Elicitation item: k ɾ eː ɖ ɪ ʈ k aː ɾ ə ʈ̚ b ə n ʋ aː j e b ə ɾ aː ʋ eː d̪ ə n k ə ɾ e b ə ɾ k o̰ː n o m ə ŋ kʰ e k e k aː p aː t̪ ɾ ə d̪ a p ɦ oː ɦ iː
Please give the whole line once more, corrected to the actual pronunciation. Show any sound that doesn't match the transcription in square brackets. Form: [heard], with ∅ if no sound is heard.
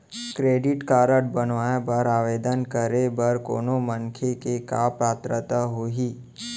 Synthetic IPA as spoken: k ɾ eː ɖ ɪ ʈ k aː ɾ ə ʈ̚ b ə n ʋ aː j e b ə ɾ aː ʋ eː d̪ ə n k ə ɾ e b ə ɾ k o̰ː n o m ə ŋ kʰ e k e k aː p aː t̪ ɾ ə [t̪] a [∅] ɦ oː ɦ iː